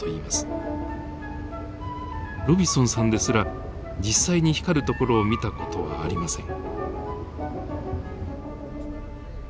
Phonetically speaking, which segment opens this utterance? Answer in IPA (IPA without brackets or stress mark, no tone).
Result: o